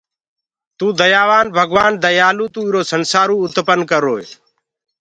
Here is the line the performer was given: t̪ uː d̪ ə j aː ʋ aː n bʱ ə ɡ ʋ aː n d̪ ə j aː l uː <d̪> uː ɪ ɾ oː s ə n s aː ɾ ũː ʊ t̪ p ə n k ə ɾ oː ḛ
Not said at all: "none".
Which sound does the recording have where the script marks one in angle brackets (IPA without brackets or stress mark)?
t̪